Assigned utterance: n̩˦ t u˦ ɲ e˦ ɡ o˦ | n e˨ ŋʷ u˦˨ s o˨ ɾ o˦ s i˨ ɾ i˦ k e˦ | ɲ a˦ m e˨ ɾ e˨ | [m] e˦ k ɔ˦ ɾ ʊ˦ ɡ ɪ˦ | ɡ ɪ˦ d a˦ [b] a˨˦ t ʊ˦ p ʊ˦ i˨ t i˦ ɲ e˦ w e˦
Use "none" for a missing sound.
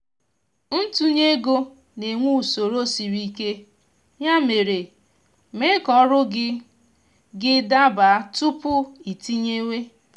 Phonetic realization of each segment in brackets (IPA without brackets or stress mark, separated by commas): m, b